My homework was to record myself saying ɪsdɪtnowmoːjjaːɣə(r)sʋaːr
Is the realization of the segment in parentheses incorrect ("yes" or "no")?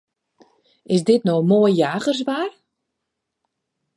no